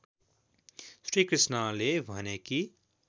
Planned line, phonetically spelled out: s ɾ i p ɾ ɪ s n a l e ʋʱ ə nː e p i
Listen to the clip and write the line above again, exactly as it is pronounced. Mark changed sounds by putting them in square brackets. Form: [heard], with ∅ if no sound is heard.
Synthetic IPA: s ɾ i [k] ɾ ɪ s n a l e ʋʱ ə [n] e [k] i